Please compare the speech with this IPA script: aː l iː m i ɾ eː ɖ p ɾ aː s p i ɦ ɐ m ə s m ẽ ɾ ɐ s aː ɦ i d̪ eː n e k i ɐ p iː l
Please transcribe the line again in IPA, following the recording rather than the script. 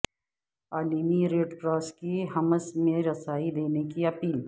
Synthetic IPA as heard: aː l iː m i ɾ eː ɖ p ɾ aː s k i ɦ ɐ m ə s m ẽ ɾ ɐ s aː i d̪ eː n e k i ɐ p iː l